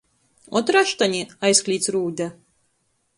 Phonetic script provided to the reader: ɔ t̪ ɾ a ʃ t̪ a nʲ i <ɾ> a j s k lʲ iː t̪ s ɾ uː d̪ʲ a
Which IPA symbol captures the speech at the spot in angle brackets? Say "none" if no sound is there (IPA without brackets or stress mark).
none